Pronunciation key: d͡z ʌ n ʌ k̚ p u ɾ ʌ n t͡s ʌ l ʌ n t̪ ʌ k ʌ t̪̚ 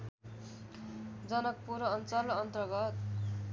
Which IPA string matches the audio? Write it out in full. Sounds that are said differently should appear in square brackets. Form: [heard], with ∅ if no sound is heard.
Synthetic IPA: d͡z ʌ n ʌ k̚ p u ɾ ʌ n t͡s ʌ l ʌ n t̪ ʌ [ɡ] ʌ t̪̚